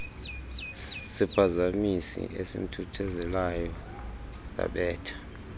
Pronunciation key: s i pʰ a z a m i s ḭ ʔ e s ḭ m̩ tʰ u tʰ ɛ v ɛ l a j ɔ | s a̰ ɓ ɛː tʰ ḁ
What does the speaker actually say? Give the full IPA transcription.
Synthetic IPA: s i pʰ a z a m i s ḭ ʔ e s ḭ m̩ tʰ u tʰ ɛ z ɛ l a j ɔ | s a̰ ɓ ɛː tʰ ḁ

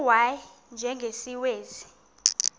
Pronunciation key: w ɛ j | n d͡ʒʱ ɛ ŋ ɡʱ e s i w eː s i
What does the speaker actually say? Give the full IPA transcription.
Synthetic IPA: w a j | n d͡ʒʱ ɛ ŋ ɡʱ e s i w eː z i

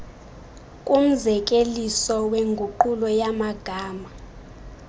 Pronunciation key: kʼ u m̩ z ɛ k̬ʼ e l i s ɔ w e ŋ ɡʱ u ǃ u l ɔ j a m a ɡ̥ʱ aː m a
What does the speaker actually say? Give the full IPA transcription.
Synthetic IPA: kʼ u m̩ z ɛ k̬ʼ e l i s ɔ w e ŋ ɡʱ u ǃ u l ɔ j a m a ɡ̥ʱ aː m a

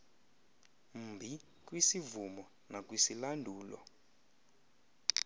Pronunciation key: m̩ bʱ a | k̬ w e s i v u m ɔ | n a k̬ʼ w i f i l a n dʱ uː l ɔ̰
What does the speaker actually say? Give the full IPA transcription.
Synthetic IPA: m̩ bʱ i | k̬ w i s i v u m ɔ | n a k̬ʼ w i s i l a n dʱ uː l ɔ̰

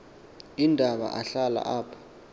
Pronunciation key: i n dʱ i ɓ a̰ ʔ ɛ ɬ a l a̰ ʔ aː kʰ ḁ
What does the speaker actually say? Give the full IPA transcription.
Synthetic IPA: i n dʱ a ɓ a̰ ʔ a ɬ a l a̰ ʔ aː pʰ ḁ

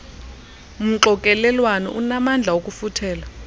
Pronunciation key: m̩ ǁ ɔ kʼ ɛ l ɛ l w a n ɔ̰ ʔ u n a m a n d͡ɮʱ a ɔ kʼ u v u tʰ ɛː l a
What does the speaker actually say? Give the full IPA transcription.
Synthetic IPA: m̩ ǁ ɔ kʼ ɛ l ɛ l w a n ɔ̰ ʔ u n a m a n d͡ɮʱ a o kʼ u f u tʰ ɛː l a

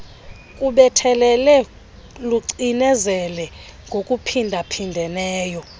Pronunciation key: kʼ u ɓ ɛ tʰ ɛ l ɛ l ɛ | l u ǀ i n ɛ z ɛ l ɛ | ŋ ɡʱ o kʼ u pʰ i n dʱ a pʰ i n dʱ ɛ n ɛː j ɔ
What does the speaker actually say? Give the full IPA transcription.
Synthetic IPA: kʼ u ɓ ɛ tʰ ɛ l ɛ l ɛ | l u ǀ i n ɛ z ɛ l ɛ | ŋ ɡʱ o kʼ u pʰ i n dʱ a pʰ i n dʱ ɛ n ɛː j ɔ

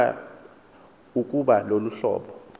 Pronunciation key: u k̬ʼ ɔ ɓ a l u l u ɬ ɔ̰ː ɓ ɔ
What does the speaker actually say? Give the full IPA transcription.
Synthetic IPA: u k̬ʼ u ɓ a l o l u ɬ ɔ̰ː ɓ ɔ

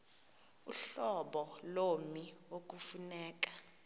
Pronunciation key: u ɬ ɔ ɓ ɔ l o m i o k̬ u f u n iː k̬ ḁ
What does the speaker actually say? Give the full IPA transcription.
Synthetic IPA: u ɬ ɔ ɓ ɔ l o m i o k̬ u f u n ɛː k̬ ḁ

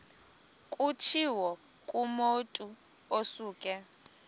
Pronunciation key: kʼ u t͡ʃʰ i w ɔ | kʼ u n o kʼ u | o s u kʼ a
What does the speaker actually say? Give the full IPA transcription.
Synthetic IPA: kʼ u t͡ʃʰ i w ɔ | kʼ u m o tʼ u | o s uː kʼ ɛ

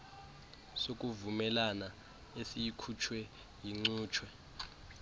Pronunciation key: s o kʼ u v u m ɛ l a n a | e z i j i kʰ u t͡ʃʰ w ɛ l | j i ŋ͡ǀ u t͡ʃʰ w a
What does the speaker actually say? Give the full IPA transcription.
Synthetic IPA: s o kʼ u v u m ɛ l a n a | e s i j i kʰ u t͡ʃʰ w ɛ | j i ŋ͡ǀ uː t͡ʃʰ w ɛ

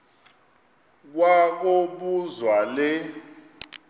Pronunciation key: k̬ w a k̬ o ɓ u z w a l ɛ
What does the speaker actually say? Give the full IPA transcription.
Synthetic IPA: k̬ w a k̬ o ɓ u z w a l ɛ

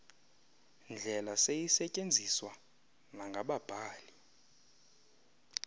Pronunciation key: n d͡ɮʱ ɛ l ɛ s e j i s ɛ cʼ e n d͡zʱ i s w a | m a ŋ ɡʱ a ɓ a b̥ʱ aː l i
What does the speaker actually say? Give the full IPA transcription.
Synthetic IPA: n d͡ɮʱ ɛ l a s e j i s ɛ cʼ e n d͡zʱ i s w a | n a ŋ ɡʱ a ɓ a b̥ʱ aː l i

